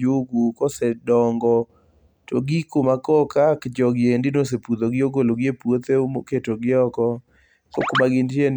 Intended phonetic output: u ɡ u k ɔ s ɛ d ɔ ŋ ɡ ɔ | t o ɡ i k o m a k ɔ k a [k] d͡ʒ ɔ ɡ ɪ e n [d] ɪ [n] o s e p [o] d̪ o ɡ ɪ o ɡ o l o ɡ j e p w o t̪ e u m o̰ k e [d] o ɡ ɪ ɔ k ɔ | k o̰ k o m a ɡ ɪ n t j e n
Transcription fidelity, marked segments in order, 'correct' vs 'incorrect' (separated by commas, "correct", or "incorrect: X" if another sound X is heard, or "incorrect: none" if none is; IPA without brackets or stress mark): correct, correct, correct, incorrect: u, incorrect: t